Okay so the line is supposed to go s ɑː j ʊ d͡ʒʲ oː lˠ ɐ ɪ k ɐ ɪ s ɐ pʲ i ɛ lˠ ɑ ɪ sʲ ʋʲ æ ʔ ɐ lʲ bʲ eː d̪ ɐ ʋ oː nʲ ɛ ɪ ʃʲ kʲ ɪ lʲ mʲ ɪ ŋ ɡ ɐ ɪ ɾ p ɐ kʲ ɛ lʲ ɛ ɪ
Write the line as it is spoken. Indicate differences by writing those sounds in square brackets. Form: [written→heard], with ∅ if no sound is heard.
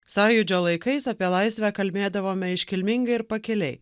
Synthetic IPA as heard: s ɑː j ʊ d͡ʒʲ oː lˠ ɐ ɪ k ɐ ɪ s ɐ pʲ i ɛ lˠ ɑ ɪ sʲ ʋʲ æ [ʔ→k] ɐ lʲ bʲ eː d̪ ɐ ʋ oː [nʲ→mʲ] ɛ ɪ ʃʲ kʲ ɪ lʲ mʲ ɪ ŋ ɡ ɐ ɪ ɾ p ɐ kʲ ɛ lʲ ɛ ɪ